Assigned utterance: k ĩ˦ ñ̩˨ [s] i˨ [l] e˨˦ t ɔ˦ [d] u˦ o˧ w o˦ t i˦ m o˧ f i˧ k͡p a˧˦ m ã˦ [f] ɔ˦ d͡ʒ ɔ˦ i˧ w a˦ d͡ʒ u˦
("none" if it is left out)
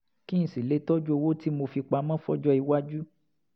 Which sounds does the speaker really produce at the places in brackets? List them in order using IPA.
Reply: s, l, d͡ʒ, f

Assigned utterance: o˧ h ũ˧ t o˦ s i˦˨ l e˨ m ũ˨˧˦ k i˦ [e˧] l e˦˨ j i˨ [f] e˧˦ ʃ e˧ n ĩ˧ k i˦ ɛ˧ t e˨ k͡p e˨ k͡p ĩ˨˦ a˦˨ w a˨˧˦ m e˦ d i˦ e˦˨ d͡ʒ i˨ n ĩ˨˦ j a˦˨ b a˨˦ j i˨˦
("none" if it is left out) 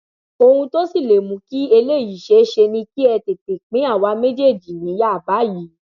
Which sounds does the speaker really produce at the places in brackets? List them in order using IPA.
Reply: e˧, ʃ

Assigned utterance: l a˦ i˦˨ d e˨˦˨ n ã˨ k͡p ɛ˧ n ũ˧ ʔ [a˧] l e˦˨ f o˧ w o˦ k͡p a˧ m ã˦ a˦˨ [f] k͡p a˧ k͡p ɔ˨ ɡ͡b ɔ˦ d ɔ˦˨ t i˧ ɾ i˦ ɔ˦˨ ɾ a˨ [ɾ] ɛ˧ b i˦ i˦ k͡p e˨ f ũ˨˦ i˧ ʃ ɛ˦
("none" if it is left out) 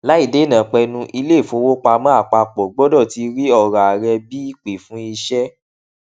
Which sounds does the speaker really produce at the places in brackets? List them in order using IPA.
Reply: i˧, none, ɾ

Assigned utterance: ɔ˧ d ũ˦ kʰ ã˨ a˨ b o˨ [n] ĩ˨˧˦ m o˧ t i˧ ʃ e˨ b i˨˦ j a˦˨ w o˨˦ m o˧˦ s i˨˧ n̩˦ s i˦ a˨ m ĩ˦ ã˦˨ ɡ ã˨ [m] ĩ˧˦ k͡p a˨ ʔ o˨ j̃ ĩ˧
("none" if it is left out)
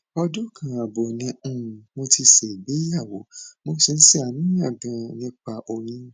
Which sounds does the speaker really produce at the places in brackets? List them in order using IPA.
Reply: n, n

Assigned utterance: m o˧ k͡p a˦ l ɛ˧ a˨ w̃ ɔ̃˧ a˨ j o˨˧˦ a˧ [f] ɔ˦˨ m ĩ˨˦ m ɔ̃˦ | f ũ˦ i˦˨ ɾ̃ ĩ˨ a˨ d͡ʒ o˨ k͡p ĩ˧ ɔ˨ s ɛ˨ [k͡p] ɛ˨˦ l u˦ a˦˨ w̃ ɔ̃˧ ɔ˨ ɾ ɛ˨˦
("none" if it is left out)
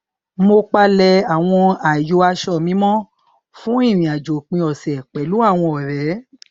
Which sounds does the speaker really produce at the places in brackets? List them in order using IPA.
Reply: ʃ, k͡p

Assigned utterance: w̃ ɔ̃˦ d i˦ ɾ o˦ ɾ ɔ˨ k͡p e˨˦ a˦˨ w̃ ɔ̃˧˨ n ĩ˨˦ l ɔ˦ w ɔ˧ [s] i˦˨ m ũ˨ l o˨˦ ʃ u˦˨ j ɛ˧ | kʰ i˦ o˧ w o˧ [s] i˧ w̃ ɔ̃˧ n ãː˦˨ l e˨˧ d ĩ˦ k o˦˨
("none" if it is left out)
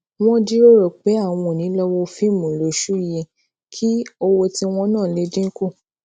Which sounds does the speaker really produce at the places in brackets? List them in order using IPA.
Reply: f, t

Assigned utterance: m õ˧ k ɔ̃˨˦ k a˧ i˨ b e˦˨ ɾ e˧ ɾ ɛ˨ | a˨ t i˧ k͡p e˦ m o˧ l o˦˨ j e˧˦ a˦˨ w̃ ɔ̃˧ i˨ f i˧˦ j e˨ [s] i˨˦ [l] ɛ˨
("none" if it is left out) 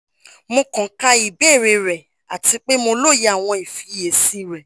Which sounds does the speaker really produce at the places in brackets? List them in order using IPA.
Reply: s, ɾ

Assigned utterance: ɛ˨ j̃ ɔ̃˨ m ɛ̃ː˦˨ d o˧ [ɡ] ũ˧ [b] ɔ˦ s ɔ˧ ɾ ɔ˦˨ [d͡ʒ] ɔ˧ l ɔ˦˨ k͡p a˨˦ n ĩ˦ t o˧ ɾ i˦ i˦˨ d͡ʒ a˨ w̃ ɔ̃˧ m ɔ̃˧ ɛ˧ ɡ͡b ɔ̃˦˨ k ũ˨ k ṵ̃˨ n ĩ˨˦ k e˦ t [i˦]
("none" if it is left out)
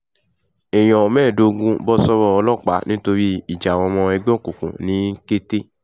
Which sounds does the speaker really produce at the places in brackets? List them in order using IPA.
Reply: ɡ, b, none, e˦

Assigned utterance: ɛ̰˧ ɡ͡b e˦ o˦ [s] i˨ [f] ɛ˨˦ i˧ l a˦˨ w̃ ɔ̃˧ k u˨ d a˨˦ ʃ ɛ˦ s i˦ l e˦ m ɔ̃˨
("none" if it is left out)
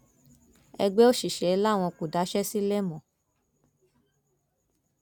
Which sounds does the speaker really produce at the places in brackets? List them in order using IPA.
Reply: ʃ, ʃ

